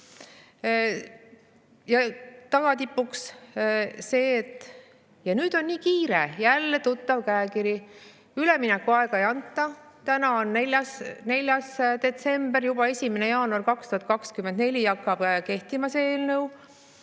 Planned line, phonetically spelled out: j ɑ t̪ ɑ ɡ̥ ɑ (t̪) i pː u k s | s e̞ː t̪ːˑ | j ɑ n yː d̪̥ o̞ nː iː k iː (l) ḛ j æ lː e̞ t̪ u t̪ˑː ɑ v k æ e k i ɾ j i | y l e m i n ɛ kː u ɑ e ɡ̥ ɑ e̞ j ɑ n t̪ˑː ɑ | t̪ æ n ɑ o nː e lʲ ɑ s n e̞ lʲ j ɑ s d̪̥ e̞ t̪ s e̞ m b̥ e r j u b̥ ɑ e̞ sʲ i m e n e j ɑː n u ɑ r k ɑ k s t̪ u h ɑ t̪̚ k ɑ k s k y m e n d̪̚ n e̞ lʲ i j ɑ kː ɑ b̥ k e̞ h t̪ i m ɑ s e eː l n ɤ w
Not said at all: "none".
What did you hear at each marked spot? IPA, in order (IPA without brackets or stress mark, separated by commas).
t̪, ɾ